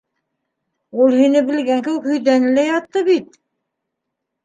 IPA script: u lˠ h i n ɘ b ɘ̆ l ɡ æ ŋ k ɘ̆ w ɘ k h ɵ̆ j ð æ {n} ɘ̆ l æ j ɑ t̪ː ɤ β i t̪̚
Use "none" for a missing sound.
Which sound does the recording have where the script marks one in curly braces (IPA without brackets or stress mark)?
n